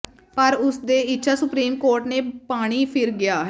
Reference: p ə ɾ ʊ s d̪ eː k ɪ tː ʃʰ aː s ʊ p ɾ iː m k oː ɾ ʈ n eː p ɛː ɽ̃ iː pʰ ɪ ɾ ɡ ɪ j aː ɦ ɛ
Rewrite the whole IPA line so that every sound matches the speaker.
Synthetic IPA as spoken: p ə ɾ ʊ s d̪ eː ɪ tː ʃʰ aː s ʊ p ɾ iː m k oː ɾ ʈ n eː p aː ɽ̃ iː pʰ ɪ ɾ ɡ ɪ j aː ɦ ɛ

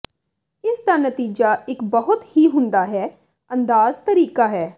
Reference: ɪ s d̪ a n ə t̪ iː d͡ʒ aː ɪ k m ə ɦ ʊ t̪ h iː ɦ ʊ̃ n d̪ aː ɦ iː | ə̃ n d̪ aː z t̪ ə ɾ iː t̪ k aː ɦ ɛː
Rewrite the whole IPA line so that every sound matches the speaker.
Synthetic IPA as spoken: ɪ s d̪ a n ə t̪ iː d͡ʒ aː ɪ k b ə ɦ ʊ t̪ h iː ɦ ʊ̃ n d̪ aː ɦ ɛː | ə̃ n d̪ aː z t̪ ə ɾ iː k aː ɦ ɛː

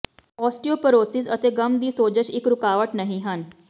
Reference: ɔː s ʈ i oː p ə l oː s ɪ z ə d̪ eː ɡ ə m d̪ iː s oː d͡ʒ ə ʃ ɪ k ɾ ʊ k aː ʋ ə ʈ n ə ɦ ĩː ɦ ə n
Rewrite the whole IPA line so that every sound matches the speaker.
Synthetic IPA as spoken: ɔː s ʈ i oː p ə ɾ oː s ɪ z ə t̪ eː ɡ ə m d̪ iː s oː d͡ʒ ə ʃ ɪ k ɾ ʊ k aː ʋ ə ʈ n ə ɦ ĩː ɦ ə n

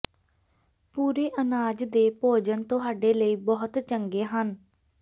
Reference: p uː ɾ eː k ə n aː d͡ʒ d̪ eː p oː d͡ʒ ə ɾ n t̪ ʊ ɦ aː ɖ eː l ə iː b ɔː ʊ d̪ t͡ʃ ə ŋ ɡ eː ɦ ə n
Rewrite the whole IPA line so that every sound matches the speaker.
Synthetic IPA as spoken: p uː ɾ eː ʔ ə n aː d͡ʒ d̪ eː p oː d͡ʒ ə n t̪ ʊ ɦ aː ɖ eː l ə iː b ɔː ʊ t̪ t͡ʃ ə ŋ ɡ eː ɦ ə n

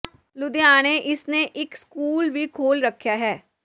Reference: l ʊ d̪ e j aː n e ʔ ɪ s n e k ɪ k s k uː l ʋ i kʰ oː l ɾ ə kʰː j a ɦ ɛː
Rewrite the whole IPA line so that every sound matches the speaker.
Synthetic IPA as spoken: l ʊ d̪ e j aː n e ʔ ɪ s n e ʔ ɪ k s k uː l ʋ i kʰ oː l ɾ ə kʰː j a ɦ ɛː

